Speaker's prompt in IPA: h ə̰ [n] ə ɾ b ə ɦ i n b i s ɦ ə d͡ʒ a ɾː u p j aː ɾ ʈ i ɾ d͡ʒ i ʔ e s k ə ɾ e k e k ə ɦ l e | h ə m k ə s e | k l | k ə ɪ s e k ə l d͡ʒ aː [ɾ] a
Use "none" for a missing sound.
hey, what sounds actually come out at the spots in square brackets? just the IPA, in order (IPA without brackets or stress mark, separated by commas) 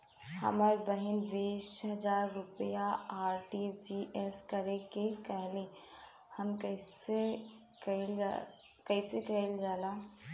m, l